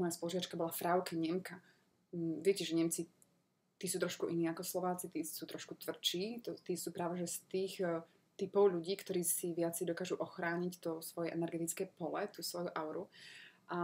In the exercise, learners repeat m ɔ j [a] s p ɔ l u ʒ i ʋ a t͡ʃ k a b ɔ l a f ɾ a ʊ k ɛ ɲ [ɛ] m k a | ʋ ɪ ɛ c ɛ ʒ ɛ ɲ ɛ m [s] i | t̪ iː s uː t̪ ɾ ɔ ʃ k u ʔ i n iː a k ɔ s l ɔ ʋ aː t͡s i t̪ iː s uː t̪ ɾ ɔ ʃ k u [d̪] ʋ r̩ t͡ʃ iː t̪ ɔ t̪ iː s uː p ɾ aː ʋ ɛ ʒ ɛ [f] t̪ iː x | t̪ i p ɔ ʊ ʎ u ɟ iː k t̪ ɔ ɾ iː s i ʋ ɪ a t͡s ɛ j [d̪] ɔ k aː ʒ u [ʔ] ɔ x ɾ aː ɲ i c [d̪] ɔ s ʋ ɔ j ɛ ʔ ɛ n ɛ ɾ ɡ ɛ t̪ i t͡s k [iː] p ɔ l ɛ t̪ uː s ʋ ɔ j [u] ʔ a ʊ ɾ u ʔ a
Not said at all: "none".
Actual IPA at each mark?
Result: a, ɛ, t͡s, t̪, s, d̪, ʔ, t̪, ɛː, u

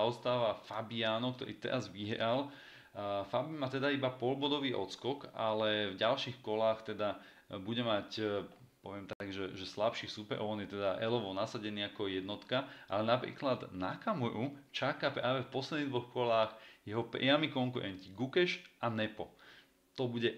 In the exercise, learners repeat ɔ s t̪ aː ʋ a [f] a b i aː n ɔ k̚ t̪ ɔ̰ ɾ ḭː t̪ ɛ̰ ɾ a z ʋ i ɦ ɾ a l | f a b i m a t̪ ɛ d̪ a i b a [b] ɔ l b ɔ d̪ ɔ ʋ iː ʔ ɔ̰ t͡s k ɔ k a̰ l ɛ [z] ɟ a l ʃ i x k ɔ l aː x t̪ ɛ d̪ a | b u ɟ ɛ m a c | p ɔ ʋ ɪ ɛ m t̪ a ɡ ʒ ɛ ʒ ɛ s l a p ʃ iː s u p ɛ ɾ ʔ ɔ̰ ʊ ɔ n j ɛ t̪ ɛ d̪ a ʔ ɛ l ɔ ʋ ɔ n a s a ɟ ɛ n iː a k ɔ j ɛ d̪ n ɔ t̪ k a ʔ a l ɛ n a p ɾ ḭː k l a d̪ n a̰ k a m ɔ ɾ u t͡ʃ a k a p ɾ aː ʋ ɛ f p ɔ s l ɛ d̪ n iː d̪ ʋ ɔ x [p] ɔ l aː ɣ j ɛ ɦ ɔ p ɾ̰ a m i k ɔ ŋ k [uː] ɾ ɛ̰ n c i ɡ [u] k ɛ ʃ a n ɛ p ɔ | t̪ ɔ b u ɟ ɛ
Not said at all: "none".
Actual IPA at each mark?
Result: f, p, v, k, u, u

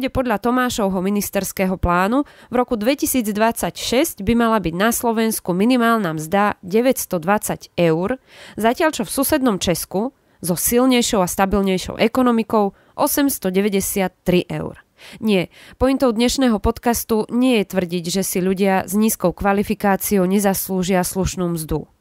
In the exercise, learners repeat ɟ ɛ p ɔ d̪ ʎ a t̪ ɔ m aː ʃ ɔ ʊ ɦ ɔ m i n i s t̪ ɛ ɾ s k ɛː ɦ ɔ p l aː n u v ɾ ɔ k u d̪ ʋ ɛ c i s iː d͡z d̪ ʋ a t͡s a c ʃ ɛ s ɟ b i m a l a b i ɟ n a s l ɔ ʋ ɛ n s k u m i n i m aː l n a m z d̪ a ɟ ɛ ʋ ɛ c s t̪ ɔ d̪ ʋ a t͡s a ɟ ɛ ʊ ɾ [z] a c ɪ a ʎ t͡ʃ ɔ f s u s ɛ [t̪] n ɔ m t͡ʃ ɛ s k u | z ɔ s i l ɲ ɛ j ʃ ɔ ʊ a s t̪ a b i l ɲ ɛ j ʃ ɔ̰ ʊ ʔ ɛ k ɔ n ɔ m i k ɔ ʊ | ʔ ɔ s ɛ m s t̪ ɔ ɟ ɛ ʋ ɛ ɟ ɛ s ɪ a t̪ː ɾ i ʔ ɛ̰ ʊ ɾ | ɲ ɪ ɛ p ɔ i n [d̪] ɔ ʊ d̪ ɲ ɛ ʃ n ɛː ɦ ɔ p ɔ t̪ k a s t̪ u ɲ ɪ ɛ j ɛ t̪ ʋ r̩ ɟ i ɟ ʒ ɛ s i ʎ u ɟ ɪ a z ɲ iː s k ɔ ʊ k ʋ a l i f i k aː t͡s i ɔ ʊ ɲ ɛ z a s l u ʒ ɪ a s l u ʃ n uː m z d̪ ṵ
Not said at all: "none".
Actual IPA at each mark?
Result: z, d̪, t̪

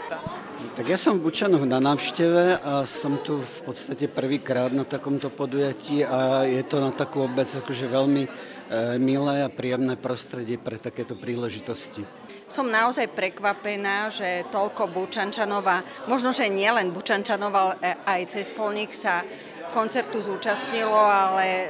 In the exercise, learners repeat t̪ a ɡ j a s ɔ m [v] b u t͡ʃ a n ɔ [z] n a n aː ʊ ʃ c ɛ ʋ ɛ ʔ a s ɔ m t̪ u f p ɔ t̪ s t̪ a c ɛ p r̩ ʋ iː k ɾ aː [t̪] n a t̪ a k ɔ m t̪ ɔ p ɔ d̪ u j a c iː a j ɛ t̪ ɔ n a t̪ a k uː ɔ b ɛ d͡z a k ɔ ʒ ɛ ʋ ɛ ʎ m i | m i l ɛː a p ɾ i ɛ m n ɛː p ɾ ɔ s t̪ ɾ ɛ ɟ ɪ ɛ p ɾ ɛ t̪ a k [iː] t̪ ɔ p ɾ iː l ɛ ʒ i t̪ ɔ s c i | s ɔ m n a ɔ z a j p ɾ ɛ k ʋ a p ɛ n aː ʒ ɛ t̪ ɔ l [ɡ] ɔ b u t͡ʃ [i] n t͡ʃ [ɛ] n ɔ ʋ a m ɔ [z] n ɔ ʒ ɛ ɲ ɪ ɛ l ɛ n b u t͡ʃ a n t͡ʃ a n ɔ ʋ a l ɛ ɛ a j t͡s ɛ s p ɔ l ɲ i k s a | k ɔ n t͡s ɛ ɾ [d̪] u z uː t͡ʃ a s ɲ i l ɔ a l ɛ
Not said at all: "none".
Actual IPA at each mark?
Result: v, ɣ, d̪, ɛː, k, a, a, ʒ, t̪

